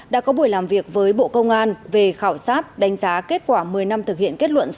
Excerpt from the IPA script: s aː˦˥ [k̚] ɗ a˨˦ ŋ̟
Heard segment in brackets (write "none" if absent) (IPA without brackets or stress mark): t̚